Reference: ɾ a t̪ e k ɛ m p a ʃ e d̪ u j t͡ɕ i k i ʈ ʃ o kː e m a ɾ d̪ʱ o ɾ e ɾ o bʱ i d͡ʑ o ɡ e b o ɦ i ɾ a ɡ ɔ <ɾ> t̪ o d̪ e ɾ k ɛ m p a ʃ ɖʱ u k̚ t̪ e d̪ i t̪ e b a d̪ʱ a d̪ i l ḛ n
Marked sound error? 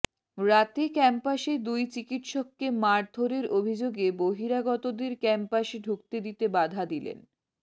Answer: yes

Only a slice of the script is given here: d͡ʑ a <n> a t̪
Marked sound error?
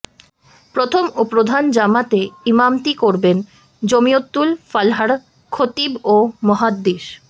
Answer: yes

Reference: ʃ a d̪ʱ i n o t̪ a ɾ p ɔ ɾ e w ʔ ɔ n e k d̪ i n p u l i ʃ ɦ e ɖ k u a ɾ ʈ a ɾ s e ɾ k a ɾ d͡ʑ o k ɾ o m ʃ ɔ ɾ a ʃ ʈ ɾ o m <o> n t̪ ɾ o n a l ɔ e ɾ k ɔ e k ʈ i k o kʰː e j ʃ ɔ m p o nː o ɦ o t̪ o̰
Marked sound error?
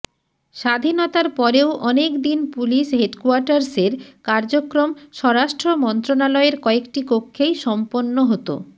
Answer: yes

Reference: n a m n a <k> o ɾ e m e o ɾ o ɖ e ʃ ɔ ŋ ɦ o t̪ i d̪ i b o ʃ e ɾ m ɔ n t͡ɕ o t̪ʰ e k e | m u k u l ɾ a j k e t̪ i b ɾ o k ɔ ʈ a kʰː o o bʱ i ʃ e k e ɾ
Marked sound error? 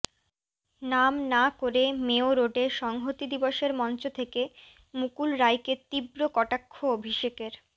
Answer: no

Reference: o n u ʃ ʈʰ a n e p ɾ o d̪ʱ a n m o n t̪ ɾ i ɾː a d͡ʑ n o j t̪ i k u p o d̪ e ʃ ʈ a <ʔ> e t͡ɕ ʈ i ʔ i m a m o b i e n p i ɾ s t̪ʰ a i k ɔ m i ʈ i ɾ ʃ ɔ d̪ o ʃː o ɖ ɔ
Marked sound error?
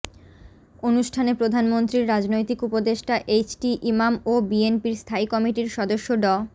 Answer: no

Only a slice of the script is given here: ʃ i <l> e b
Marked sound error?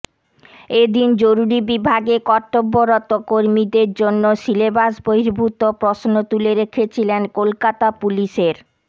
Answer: no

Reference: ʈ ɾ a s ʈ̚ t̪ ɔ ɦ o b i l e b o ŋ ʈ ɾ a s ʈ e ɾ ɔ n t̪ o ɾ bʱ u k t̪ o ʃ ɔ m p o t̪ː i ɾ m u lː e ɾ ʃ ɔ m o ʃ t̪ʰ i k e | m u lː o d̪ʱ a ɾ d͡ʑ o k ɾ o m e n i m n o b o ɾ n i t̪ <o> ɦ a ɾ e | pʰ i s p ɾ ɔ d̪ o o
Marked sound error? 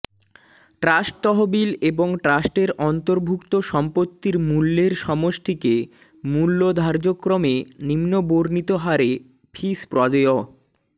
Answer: no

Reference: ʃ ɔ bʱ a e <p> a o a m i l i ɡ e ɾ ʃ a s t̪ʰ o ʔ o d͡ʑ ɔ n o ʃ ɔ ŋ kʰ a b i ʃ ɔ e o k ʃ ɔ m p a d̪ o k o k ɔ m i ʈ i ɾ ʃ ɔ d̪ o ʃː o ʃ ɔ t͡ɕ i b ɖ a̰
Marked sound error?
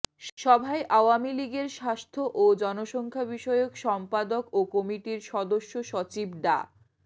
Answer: yes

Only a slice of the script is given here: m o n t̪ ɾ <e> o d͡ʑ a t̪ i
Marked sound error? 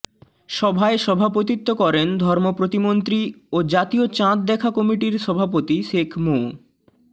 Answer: yes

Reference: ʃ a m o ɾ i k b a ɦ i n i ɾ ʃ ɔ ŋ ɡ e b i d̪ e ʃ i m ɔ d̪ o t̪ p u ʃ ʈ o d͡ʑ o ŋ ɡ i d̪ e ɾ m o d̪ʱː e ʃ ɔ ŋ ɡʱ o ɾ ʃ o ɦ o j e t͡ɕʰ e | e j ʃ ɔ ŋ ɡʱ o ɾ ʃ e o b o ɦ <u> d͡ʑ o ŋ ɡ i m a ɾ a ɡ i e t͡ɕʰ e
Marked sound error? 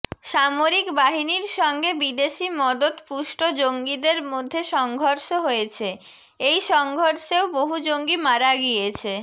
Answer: no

